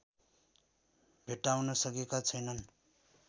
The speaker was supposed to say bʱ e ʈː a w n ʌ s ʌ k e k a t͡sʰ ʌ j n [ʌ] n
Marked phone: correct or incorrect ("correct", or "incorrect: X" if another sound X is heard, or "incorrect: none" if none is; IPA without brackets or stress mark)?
correct